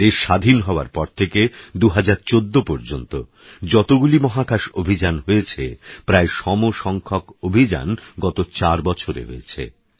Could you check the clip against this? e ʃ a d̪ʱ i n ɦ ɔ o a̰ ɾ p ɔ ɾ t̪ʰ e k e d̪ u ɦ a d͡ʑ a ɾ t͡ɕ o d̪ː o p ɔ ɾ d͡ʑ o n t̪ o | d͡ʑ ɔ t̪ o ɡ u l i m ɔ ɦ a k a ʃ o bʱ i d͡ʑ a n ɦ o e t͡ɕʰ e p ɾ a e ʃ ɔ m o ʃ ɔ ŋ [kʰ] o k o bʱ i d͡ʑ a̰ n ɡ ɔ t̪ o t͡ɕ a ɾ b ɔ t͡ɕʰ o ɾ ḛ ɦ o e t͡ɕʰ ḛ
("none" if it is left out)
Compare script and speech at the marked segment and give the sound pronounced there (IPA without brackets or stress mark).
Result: kʰ